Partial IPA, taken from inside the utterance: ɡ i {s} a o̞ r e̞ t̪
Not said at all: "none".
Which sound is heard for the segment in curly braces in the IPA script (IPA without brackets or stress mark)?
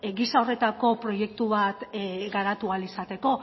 s